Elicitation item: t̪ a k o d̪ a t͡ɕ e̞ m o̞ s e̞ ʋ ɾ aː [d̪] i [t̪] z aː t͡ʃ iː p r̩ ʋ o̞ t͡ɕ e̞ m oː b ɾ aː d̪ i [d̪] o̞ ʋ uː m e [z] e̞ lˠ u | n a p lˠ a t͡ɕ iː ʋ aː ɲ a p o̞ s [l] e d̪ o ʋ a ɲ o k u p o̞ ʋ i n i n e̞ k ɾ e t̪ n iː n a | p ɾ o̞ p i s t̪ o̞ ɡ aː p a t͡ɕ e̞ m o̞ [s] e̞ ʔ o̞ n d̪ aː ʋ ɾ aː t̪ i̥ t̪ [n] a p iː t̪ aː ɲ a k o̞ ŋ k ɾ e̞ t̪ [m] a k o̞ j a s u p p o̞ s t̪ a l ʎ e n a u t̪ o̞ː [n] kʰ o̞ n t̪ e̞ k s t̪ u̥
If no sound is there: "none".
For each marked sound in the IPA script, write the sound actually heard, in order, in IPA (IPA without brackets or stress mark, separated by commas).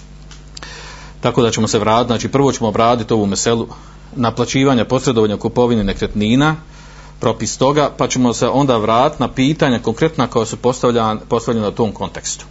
t̪, t̪, t̪, s, ɾ, s, n, n, m